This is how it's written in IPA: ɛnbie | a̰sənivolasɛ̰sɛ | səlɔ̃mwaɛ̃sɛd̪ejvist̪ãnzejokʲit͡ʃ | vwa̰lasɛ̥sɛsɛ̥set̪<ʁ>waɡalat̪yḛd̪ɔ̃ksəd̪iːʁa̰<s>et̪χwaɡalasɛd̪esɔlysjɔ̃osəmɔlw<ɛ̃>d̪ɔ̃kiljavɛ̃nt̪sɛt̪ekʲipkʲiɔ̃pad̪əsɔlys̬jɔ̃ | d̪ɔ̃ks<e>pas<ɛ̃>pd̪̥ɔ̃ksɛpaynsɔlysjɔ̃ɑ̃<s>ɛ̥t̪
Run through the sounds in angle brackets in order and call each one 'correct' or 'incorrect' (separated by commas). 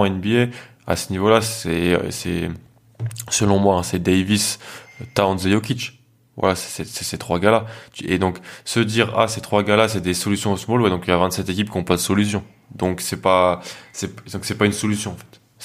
incorrect, correct, incorrect, incorrect, incorrect, incorrect